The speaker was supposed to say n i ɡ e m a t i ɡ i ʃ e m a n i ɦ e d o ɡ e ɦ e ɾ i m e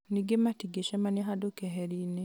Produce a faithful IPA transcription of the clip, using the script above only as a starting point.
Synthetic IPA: n i ɡ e m a t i ɡ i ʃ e m a n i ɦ a d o k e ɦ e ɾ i n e